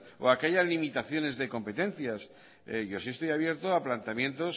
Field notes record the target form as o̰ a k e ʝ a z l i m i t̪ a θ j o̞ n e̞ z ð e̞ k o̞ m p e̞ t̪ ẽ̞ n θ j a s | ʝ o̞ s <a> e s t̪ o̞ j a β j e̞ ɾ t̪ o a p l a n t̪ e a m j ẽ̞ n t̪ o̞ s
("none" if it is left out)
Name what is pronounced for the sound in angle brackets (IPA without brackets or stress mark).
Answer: i